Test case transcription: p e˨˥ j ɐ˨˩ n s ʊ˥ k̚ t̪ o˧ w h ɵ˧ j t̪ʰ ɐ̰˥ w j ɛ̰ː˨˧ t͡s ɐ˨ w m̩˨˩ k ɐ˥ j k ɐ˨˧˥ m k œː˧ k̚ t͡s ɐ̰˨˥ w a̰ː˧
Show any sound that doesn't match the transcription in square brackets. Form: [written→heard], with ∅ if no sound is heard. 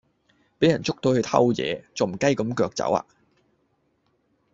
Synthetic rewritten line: p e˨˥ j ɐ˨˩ n [s→t͡s] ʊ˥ k̚ t̪ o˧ w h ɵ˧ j t̪ʰ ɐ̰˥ w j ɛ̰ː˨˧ t͡s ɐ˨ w m̩˨˩ k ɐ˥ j k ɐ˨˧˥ m k œː˧ k̚ t͡s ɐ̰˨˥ w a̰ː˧